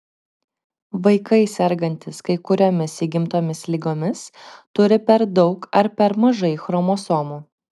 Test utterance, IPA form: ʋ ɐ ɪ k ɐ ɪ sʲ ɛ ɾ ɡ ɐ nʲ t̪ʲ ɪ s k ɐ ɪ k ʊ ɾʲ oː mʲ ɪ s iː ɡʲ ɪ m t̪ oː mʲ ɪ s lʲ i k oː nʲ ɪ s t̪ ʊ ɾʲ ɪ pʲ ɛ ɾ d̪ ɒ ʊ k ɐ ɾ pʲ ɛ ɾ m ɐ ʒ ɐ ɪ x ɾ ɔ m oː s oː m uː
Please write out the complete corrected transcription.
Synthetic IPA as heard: ʋ ɐ ɪ k ɐ ɪ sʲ ɛ ɾ ɡ ɐ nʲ t̪ʲ ɪ s k ɐ ɪ k ʊ ɾʲ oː mʲ ɪ s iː ɡʲ ɪ m t̪ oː mʲ ɪ s lʲ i ɡ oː mʲ ɪ s t̪ ʊ ɾʲ ɪ pʲ ɛ ɾ d̪ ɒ ʊ k ɐ ɾ pʲ ɛ ɾ m ɐ ʒ ɐ ɪ x ɾ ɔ m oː s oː m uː